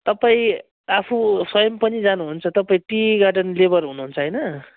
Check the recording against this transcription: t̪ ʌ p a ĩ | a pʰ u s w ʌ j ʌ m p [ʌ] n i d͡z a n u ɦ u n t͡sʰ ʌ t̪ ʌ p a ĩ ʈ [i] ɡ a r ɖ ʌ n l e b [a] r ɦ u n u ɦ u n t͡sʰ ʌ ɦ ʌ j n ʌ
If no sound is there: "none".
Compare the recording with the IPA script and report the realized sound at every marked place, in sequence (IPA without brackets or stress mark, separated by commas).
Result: ʌ, i, ʌ